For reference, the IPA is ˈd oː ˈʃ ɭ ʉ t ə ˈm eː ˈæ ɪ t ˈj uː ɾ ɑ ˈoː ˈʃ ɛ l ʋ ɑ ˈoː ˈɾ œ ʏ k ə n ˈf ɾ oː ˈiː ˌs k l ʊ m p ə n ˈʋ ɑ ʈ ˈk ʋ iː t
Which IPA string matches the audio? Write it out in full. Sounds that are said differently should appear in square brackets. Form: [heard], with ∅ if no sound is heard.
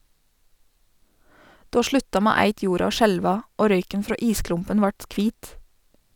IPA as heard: ˈd oː ˈʃ ɭ ʉ t [ɑ] ˈm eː ˈæ ɪ t ˈj uː ɾ ɑ ˈoː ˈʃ ɛ l ʋ ɑ ˈoː ˈɾ œ ʏ k ə n ˈf ɾ oː ˈiː ˌs k l ʊ m p ə n ˈʋ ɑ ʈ ˈk ʋ iː t